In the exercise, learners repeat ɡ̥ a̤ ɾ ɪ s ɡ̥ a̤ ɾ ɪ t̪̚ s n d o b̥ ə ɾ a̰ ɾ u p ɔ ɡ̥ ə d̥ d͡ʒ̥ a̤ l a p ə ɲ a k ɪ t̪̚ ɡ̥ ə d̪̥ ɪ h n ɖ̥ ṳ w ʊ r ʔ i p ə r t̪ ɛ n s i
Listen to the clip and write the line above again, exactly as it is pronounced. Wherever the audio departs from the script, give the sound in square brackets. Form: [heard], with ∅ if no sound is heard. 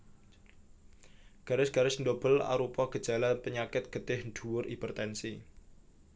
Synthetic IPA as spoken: ɡ̥ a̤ ɾ ɪ s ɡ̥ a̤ ɾ ɪ [∅] s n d o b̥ ə [l] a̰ ɾ u p ɔ ɡ̥ ə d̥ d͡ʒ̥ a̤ l a p ə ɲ a k ɪ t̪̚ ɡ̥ ə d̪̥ ɪ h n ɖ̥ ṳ w ʊ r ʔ i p ə r t̪ ɛ n s i